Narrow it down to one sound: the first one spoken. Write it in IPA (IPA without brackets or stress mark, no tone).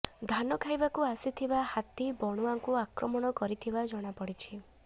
d̪ʱ